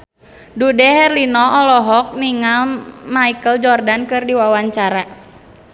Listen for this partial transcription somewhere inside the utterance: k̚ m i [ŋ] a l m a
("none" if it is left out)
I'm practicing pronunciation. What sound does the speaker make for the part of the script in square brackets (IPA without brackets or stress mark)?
ŋ